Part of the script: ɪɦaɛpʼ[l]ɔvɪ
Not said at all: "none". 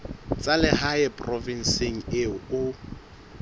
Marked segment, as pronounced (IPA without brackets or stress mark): r